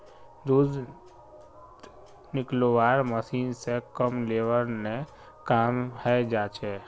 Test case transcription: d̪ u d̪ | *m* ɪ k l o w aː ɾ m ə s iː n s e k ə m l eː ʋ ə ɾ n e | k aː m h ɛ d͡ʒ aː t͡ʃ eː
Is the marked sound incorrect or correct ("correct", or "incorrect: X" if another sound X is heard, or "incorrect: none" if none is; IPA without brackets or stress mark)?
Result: incorrect: n